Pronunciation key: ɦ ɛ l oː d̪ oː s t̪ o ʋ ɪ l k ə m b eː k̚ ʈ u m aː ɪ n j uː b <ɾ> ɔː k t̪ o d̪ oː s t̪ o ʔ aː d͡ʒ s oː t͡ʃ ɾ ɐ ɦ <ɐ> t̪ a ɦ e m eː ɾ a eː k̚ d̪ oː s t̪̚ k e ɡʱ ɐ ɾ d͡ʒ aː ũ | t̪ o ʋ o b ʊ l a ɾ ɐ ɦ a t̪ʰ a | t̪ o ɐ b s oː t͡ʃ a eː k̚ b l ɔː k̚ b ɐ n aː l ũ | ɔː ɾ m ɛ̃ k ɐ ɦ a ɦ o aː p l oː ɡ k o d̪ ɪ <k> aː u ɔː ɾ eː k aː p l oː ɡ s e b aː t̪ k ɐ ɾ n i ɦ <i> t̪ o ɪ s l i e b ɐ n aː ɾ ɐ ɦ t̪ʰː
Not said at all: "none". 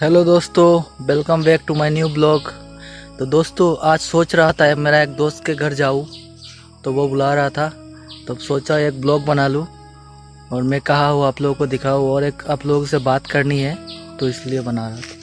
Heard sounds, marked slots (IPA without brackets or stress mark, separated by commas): l, a, kʰ, ɛ